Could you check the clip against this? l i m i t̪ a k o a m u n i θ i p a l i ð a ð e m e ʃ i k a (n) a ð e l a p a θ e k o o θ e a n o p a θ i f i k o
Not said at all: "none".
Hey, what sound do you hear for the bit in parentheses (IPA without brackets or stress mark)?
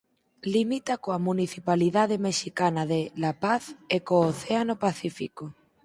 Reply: n